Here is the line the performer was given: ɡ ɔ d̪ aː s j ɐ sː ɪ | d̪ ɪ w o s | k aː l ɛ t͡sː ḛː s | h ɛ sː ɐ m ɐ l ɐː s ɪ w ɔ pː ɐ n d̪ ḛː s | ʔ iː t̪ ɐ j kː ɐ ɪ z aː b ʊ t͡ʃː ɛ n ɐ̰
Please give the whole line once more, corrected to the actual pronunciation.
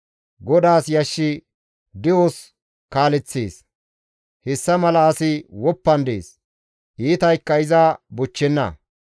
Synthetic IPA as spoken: ɡ ɔ d̪ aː s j ɐ ʃː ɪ | d̪ ɪ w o s | k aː l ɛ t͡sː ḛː s | h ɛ sː ɐ m ɐ l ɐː s ɪ w ɔ pː ɐ n d̪ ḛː s | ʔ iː t̪ ɐ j kː ɐ ɪ z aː b ʊ t͡ʃː ɛ nː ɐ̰